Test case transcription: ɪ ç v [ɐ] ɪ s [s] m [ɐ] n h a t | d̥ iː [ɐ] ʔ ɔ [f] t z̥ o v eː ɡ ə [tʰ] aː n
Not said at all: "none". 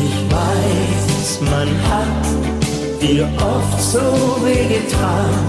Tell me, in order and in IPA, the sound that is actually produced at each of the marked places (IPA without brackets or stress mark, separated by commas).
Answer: a, s, a, ɐ, f, tʰ